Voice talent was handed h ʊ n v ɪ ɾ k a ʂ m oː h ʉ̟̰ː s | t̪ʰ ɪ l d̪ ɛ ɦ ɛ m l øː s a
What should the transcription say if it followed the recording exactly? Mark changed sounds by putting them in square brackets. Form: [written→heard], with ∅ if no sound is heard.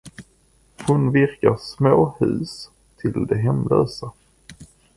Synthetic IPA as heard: h ʊ n v ɪ ɾ k a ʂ m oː h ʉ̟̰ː s | t̪ʰ ɪ l d̪ ɛ ɦ ɛ m l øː s a